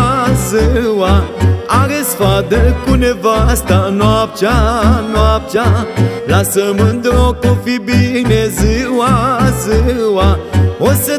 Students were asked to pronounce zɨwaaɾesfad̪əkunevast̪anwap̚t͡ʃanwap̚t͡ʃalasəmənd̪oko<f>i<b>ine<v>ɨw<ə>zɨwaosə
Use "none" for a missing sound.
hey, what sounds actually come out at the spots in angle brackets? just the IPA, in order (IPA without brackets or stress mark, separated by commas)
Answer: f, b, z, a